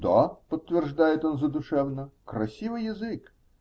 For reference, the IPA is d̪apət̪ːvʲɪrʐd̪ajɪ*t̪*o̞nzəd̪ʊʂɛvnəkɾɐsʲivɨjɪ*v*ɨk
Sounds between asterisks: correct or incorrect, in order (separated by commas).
correct, incorrect